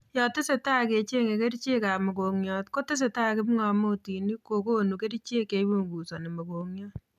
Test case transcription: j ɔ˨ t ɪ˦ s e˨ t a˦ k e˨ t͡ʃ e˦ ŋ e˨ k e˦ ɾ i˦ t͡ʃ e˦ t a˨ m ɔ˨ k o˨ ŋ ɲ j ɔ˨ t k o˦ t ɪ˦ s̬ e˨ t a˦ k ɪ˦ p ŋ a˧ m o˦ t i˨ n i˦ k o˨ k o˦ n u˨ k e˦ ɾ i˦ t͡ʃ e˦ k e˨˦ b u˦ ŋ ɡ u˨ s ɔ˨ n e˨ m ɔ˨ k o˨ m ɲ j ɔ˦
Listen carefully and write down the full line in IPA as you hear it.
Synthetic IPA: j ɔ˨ t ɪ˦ s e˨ t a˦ k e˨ t͡ʃ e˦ ŋ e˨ k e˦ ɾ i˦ t͡ʃ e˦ k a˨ m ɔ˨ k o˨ ŋ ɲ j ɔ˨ t k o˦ t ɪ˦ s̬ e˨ t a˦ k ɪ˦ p ŋ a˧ m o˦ t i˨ n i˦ k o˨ k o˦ n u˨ k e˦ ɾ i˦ t͡ʃ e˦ k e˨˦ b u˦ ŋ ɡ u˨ s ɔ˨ n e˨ m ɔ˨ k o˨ ŋ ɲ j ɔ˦